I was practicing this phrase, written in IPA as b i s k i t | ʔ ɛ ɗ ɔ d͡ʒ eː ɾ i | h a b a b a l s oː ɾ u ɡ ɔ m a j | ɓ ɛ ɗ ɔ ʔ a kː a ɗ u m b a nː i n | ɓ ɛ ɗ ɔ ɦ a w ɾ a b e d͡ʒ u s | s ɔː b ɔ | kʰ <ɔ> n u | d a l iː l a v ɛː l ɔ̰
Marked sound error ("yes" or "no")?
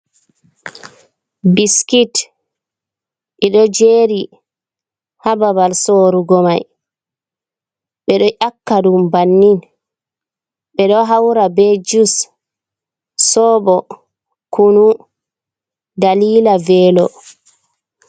yes